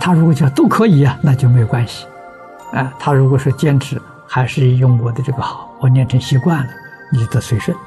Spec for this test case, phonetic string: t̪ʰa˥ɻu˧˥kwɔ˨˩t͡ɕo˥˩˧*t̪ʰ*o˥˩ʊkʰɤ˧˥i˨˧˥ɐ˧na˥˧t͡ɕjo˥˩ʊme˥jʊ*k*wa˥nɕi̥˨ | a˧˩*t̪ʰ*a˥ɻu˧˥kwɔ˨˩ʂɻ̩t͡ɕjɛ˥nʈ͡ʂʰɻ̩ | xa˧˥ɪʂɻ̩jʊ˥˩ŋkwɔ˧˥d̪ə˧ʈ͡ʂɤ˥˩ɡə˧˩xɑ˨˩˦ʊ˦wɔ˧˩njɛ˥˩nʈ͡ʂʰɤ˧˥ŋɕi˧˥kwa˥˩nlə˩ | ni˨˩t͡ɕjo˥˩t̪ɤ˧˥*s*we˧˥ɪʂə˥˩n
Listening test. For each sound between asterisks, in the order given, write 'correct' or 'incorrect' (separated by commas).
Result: incorrect, correct, correct, correct